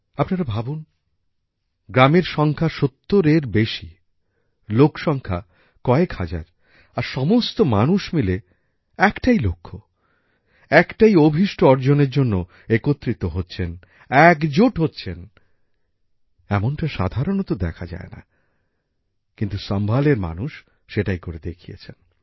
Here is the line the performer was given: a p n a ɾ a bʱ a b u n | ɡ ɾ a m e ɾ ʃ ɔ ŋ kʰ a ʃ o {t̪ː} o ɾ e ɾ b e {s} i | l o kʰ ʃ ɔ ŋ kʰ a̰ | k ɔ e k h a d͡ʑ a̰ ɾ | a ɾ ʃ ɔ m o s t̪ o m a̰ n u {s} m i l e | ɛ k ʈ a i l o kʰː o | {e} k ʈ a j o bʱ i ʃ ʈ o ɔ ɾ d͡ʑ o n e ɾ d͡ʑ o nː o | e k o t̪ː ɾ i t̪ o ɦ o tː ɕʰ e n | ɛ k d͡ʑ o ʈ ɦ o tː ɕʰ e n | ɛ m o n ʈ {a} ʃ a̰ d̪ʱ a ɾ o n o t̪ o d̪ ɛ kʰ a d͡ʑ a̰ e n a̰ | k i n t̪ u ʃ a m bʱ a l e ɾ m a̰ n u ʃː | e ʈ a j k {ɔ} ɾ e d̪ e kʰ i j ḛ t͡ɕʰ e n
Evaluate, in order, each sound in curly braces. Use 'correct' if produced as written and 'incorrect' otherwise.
correct, incorrect, incorrect, incorrect, correct, incorrect

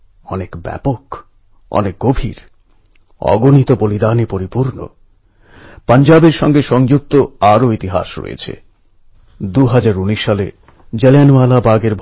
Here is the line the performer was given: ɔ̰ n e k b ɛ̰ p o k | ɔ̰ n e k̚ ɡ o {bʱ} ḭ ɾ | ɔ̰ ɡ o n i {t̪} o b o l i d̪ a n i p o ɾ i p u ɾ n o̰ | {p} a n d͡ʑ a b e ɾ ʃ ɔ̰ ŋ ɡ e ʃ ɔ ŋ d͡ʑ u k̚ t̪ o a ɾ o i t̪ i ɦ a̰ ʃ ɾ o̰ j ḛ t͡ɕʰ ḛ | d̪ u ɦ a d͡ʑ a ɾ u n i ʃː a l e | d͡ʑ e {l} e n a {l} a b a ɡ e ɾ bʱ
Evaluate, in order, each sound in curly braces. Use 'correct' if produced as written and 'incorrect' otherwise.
correct, correct, correct, correct, correct

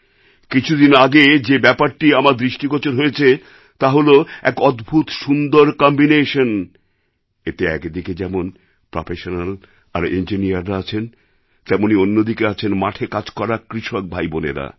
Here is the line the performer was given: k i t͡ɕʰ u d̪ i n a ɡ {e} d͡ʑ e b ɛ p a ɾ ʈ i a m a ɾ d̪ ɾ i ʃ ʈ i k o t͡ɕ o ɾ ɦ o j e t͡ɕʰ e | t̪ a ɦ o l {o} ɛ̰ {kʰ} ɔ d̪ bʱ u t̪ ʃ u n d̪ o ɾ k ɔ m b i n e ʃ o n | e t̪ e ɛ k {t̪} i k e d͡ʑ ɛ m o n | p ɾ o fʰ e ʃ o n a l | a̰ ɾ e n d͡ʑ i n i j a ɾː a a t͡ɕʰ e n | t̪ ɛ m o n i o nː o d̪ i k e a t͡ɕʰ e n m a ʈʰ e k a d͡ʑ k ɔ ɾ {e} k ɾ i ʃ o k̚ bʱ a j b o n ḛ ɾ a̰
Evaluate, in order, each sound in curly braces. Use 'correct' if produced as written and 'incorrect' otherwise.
correct, correct, incorrect, incorrect, incorrect

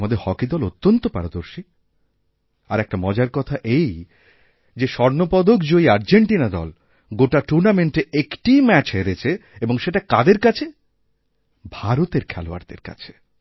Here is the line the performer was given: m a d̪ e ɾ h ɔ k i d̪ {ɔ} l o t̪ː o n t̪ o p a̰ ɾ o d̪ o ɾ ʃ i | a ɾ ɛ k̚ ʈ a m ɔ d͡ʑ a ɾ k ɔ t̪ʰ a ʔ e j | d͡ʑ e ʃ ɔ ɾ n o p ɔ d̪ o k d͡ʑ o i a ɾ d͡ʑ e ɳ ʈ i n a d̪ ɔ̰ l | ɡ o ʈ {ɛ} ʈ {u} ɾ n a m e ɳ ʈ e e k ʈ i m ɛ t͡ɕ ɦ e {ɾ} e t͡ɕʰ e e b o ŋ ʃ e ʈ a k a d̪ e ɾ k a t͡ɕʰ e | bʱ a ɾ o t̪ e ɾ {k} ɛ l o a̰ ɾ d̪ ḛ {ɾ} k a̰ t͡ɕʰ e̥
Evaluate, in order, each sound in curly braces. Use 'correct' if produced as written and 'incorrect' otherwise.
correct, incorrect, correct, correct, incorrect, correct

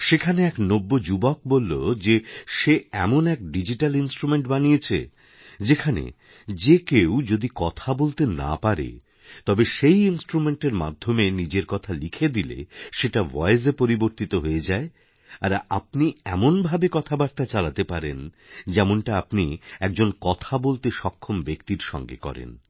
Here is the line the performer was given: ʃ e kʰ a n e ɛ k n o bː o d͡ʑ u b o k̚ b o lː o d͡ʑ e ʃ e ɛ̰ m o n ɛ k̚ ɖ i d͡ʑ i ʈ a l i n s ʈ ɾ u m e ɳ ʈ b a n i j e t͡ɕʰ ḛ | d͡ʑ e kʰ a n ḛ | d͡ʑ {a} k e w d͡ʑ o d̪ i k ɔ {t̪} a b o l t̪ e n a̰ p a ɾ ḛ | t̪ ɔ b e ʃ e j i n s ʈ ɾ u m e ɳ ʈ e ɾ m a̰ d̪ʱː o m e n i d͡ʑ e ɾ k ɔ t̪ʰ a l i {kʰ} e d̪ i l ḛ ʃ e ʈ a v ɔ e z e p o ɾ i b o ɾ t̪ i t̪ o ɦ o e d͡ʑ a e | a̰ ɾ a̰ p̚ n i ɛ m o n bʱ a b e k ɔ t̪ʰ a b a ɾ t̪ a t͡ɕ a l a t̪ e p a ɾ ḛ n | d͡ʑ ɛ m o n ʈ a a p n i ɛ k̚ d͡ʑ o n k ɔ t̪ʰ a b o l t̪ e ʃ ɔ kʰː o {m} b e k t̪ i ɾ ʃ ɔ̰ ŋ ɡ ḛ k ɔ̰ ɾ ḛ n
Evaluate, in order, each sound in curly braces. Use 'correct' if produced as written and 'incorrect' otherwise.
incorrect, incorrect, correct, correct

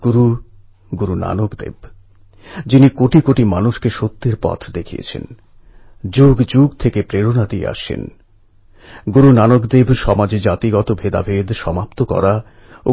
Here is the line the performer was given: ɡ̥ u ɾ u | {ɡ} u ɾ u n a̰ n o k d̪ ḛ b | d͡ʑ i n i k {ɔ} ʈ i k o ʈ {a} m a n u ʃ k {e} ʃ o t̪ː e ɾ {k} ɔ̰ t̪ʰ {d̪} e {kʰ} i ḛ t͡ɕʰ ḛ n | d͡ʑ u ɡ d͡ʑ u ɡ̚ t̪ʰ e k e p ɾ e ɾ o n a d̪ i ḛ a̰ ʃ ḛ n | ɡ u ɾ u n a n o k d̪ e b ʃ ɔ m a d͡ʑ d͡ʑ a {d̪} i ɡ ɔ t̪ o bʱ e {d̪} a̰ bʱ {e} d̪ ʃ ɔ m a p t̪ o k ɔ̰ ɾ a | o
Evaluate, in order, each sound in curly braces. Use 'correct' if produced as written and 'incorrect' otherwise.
correct, incorrect, incorrect, correct, incorrect, correct, correct, incorrect, correct, correct

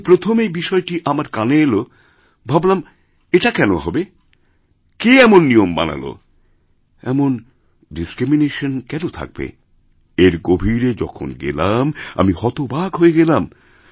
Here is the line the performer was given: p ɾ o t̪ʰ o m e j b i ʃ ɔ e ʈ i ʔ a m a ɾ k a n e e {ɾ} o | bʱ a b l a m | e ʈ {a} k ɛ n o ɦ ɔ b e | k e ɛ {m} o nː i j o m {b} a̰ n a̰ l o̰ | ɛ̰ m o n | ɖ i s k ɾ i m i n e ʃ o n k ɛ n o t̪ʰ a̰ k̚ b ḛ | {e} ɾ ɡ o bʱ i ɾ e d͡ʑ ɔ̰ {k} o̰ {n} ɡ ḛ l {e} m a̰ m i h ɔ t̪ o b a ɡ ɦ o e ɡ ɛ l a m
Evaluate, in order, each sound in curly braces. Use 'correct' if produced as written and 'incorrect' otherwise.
incorrect, correct, correct, correct, correct, incorrect, correct, incorrect

